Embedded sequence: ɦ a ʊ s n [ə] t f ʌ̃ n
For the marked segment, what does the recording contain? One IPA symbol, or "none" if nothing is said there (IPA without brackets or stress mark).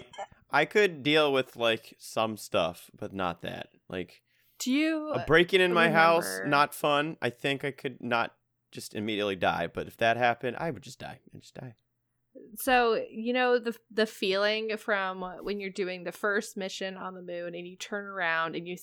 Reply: ə